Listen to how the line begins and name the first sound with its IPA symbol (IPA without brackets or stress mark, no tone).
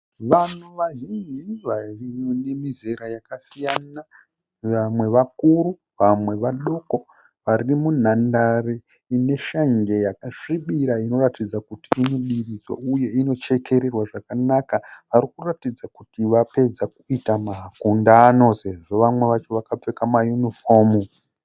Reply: ʋ